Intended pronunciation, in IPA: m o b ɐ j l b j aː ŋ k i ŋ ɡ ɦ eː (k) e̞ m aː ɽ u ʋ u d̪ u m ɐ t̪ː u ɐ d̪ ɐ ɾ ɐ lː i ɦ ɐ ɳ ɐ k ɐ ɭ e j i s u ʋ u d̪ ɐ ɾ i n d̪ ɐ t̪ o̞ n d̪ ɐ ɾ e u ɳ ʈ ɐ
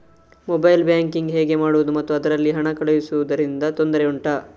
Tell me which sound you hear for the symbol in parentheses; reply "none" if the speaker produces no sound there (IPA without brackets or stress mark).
ɡ